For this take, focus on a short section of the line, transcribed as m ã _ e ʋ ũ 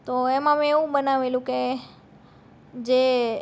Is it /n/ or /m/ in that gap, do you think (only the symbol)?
m